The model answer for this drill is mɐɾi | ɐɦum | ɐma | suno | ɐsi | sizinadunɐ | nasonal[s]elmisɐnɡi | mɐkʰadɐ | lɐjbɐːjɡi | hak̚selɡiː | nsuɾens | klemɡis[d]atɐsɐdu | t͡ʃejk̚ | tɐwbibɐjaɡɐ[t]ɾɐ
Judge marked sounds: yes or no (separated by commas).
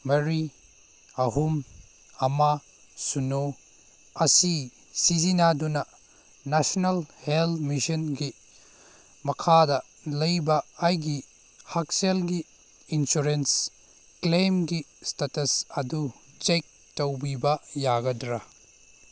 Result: no, no, no